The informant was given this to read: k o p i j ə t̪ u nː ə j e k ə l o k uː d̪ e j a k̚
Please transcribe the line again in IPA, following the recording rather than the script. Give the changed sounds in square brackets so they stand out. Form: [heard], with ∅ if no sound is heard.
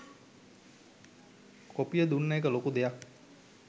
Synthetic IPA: k o p i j ə [d̪] u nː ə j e k ə l o k [u] d̪ e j a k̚